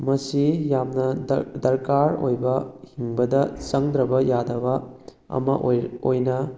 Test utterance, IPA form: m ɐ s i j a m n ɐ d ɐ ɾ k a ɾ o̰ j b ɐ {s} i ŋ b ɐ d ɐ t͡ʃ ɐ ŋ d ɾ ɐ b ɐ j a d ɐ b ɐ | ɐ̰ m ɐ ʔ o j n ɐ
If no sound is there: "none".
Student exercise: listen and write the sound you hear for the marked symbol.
h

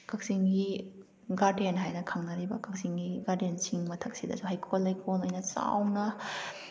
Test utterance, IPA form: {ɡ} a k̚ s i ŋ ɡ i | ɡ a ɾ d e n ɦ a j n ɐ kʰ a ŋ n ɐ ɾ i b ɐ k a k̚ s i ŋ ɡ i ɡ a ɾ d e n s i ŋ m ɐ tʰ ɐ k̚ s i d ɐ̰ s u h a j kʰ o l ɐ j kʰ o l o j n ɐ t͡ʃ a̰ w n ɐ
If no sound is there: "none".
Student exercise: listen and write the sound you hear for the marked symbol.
k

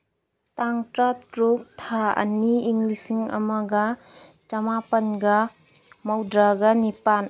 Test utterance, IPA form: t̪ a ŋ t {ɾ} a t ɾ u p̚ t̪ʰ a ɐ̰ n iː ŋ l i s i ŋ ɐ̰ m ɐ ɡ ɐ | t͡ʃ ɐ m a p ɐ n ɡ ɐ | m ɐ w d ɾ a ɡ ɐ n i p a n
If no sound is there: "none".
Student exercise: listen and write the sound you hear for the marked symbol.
ɾ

